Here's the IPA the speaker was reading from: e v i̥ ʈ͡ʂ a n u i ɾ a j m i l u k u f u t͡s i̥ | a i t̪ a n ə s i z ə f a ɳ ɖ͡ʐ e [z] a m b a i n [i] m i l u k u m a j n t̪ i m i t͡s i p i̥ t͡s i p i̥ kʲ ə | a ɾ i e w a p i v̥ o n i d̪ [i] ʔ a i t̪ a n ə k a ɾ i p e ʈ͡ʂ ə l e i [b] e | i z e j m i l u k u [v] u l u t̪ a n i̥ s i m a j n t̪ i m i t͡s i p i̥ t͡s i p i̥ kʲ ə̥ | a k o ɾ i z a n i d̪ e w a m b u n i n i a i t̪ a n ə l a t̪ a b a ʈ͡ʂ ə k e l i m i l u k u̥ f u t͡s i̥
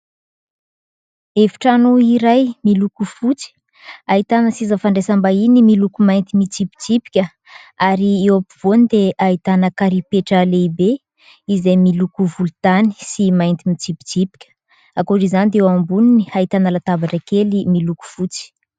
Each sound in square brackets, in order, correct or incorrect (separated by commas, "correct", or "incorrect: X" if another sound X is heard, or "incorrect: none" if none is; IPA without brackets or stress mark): incorrect: s, correct, incorrect: e, correct, correct